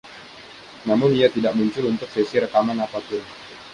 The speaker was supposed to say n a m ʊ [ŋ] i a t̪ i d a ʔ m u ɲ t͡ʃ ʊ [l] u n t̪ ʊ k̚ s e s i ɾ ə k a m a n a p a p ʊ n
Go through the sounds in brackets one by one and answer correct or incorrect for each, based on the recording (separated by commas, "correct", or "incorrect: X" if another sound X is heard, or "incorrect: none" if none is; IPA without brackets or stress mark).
incorrect: n, correct